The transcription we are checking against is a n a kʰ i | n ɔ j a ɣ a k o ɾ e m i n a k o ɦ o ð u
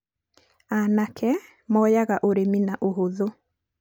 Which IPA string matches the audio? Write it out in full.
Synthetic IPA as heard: a n a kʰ ɛ | m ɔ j a ɣ a ʔ o ɾ e m i n a ʔ o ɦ o ð o